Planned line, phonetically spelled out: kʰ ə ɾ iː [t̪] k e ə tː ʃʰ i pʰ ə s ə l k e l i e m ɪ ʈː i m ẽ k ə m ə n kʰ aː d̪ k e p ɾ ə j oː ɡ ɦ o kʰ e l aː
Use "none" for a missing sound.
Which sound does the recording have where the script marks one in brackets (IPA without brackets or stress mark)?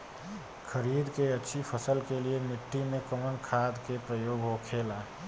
d̪